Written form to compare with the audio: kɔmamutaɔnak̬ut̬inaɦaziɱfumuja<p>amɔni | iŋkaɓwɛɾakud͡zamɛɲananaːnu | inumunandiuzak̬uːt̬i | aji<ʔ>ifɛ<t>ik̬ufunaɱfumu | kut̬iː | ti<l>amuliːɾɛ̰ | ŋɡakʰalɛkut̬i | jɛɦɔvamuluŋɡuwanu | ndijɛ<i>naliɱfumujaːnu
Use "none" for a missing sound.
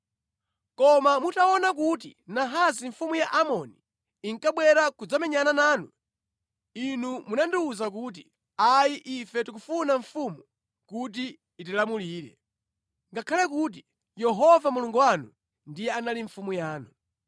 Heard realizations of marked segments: ʔ, ʔ, t, l, a

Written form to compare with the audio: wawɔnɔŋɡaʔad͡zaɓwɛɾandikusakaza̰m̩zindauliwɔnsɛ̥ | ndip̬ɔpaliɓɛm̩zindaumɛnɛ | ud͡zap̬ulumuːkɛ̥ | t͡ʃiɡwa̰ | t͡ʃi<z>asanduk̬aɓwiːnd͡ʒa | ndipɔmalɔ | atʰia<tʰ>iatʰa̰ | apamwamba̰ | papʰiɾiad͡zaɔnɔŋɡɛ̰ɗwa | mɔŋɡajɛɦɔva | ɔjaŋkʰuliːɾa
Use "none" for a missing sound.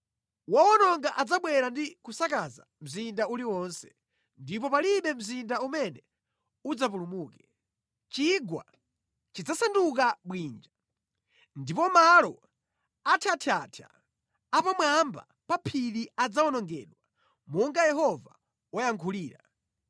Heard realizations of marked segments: d͡z, tʰ

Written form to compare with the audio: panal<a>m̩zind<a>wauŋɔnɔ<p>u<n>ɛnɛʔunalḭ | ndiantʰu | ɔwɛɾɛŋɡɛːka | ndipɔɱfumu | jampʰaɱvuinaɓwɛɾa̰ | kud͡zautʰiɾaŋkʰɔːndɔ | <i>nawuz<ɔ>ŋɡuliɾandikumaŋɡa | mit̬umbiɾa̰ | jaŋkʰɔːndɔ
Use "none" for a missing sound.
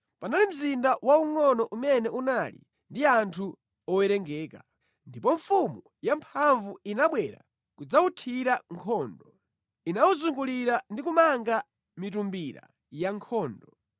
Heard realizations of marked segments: i, a, ʔ, m, i, u

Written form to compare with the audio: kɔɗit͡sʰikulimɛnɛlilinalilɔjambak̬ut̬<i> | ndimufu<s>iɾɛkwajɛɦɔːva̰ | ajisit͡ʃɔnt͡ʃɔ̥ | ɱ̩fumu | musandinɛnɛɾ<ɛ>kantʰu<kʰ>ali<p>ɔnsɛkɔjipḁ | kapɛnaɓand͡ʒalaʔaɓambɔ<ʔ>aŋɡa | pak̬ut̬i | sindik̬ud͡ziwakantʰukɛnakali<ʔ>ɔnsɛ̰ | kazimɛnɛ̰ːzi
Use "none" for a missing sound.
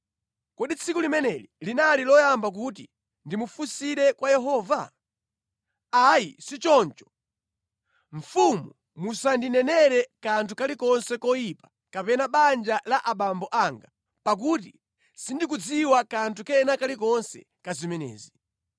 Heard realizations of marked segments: i, s, ɛ, k, k, ʔ, k

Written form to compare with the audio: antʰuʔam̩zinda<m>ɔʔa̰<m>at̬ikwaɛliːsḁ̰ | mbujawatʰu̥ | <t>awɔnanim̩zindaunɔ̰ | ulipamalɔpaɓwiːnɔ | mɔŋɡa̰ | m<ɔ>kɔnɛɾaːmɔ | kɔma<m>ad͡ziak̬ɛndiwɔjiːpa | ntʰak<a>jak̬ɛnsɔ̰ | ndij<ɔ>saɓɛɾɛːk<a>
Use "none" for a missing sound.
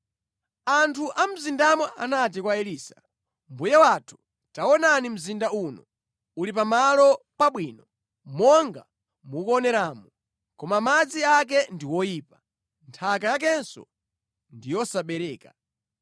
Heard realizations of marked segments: m, n, t, u, m, a, ɔ, a

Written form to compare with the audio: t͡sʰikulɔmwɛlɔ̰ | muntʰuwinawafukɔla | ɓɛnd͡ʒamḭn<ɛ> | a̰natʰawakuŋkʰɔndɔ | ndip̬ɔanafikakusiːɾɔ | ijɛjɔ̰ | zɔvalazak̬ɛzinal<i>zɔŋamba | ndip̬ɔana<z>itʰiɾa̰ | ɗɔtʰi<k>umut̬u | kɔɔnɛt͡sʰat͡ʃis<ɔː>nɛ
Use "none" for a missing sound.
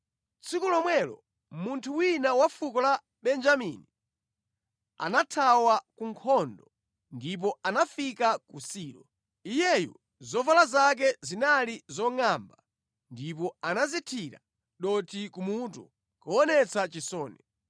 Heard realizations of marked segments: i, i, z, k, ɔː

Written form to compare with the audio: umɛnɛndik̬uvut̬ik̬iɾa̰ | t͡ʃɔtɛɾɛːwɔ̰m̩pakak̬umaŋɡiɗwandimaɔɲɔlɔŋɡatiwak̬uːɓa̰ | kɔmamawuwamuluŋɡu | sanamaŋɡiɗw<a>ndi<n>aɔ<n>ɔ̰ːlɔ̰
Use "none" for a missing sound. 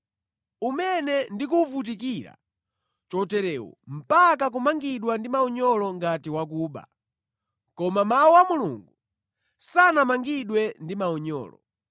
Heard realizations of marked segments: ɛ, m, ɲ

